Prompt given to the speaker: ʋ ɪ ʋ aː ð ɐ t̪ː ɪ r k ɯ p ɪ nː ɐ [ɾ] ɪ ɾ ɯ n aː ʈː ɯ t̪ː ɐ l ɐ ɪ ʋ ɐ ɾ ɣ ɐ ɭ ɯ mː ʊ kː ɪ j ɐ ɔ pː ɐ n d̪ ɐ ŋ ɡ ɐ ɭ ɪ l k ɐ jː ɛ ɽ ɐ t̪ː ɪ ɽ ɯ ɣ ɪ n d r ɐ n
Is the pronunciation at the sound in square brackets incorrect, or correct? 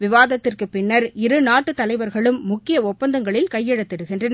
correct